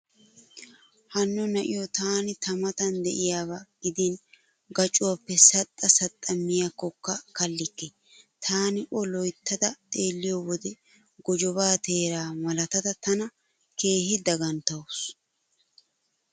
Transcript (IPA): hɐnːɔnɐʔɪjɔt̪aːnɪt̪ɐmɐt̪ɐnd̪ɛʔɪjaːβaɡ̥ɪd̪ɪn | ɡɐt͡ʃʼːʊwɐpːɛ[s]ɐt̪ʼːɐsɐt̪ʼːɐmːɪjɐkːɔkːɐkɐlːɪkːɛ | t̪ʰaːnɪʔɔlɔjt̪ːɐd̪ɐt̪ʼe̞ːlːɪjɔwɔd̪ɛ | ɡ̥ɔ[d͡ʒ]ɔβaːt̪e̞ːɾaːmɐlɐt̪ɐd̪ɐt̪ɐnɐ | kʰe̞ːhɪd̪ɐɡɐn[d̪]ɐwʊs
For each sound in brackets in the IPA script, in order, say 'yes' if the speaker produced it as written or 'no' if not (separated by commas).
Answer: yes, yes, no